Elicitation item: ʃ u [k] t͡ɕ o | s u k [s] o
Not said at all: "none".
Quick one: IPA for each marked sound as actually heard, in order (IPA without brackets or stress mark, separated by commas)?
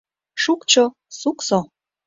k, s